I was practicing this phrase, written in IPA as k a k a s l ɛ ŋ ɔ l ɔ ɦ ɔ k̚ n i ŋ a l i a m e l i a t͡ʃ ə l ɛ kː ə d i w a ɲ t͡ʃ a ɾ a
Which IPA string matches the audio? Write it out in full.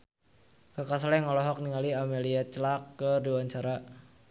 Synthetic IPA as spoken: k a k a s l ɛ ŋ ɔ l ɔ ɦ ɔ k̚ n i ŋ a l i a m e l i a t͡ʃ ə l a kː ə d i w a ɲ t͡ʃ a ɾ a